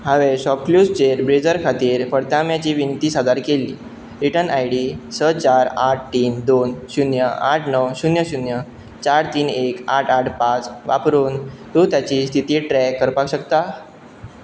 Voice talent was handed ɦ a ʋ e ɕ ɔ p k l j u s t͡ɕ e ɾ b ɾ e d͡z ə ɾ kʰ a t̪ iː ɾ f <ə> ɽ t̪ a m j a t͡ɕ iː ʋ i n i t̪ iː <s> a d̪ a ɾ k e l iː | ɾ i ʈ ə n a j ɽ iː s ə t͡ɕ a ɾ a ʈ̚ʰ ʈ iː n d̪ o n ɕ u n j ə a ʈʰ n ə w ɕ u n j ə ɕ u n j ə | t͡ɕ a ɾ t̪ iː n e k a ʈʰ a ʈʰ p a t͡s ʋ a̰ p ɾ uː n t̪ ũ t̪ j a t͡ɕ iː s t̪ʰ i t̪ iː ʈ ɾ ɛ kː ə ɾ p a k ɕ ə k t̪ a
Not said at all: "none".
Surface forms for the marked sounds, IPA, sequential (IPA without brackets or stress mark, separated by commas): ə, s